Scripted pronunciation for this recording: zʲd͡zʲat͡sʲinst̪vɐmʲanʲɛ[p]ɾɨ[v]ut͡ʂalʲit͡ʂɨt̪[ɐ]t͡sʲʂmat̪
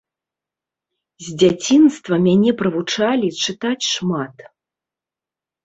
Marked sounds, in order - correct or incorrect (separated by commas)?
correct, correct, incorrect